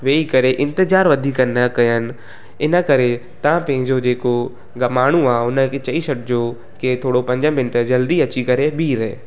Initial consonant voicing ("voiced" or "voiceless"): voiced